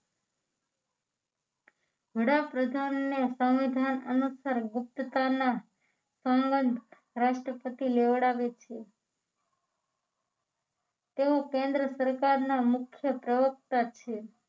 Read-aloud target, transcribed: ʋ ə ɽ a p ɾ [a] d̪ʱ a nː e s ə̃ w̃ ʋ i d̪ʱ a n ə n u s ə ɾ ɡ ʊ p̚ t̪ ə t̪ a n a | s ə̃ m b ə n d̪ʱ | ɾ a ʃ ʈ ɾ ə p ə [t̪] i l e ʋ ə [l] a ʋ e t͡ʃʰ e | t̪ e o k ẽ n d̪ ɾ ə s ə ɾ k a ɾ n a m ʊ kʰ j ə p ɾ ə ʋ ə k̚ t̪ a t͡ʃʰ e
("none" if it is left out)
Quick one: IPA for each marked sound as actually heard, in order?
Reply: ə, t̪, ɽ

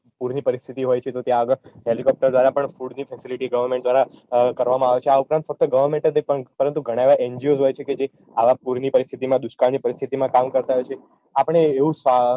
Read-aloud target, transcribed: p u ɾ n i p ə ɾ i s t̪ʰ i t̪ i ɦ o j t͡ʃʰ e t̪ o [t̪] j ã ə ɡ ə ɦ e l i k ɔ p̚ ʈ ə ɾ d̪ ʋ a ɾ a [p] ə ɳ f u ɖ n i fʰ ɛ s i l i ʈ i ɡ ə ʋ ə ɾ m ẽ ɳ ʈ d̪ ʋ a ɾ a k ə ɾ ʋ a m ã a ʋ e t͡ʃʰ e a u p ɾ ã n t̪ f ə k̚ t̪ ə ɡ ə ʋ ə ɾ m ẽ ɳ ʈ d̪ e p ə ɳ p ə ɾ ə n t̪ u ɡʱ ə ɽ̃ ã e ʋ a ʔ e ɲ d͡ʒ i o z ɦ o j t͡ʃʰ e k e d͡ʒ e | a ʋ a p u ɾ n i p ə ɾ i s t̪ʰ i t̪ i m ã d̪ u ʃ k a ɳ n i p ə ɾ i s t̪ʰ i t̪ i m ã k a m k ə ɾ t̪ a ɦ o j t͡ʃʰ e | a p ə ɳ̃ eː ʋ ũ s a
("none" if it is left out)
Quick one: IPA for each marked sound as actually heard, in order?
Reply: t̪, p

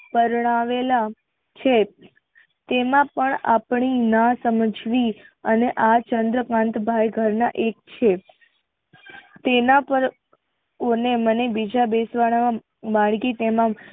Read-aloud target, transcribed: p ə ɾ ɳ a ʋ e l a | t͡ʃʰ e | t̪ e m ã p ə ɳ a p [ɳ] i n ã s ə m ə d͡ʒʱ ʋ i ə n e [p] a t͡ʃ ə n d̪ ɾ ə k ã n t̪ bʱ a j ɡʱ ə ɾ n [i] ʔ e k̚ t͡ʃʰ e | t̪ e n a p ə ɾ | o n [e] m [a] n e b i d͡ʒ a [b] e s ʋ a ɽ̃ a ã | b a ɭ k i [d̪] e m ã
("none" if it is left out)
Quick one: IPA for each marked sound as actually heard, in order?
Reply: ɳ, ʔ, a, e, ə, b, t̪

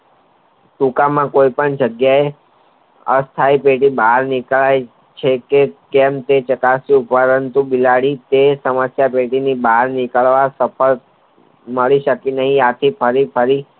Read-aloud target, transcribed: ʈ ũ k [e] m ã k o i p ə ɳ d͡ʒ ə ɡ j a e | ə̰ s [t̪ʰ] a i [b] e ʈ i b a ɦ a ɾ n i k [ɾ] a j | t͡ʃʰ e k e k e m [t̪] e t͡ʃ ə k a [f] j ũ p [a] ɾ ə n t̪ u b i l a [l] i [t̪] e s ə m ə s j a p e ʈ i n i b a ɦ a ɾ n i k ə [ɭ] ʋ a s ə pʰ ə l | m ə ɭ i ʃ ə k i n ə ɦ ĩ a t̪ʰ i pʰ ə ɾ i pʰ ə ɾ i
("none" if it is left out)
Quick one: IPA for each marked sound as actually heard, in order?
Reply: a, t̪ʰ, p, ɭ, t̪, s, ə, ɽ, t̪, ɭ

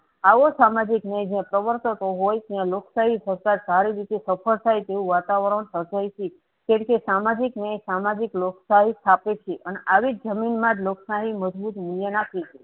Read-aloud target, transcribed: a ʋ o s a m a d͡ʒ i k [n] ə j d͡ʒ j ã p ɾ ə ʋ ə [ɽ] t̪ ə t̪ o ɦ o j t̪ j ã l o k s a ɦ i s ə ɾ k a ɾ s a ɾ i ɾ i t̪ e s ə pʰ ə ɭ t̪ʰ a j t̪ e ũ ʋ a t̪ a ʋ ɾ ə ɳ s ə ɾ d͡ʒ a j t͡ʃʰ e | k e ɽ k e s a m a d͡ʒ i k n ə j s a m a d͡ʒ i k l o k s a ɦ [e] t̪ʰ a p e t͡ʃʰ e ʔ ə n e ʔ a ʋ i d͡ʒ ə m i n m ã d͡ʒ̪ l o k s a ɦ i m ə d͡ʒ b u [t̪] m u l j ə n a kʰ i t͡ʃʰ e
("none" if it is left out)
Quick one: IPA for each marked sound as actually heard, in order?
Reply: n, ɾ, i, t̪

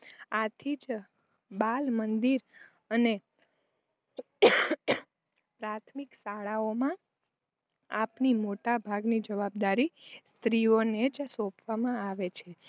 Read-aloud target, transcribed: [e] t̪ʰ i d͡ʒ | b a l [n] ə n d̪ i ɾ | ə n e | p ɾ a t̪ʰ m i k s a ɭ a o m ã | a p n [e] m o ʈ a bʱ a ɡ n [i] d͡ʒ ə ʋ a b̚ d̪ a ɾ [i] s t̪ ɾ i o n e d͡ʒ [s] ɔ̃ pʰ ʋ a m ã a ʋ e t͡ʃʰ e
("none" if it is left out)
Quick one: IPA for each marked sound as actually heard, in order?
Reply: a, m, i, i, i, s

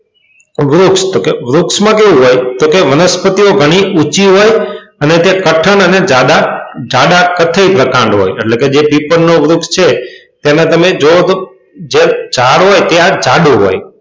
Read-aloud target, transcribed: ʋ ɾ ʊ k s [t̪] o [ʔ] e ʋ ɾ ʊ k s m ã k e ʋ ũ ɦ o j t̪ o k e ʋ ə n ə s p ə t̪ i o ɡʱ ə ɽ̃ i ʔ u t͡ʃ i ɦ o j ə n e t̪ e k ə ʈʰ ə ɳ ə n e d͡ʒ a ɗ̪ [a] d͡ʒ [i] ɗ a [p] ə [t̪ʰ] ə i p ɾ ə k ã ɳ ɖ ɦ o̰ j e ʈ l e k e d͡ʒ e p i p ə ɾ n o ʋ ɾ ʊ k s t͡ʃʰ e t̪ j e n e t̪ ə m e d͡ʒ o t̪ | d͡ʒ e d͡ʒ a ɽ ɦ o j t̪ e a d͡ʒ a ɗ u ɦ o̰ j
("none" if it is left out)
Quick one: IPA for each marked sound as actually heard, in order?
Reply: t̪, k, a, a, k, t̪ʰ

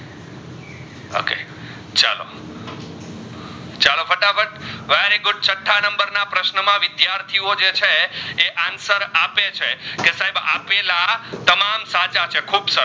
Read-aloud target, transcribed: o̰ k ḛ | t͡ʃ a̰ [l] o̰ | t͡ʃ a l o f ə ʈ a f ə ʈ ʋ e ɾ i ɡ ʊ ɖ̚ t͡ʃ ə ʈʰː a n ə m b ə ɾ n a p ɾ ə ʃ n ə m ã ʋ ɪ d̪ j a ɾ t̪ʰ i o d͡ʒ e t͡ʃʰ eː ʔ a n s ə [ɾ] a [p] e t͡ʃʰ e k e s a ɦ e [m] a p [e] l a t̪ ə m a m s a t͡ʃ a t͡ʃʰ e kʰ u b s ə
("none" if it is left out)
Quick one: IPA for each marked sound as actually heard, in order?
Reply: l, ɾ, p, b, e

